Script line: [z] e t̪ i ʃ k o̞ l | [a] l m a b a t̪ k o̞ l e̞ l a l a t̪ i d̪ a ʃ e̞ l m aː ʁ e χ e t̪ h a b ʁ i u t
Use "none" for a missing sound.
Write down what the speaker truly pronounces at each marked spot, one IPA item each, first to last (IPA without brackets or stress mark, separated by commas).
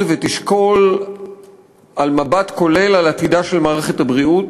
v, a